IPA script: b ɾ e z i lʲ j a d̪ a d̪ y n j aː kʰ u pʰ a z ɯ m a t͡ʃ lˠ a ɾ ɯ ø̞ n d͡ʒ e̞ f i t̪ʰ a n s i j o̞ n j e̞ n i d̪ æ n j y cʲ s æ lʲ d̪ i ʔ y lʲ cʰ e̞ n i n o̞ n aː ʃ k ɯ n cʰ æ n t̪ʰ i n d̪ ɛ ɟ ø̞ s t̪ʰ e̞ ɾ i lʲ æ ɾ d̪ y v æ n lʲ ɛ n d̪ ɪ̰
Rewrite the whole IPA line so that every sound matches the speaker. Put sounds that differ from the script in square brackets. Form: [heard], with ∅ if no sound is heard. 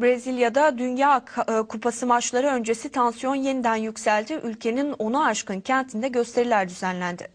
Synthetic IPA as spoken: b ɾ e z i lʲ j a d̪ a d̪ y n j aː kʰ u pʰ a [s] ɯ m a t͡ʃ lˠ a ɾ ɯ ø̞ n d͡ʒ e̞ [s] i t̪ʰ a n s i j o̞ n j e̞ n i d̪ æ n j y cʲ s æ lʲ d̪ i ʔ y lʲ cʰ e̞ n i n o̞ n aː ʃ k ɯ n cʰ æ n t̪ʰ i n d̪ ɛ ɟ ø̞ s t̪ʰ e̞ ɾ i lʲ æ ɾ d̪ y [z] æ n lʲ [æ] n d̪ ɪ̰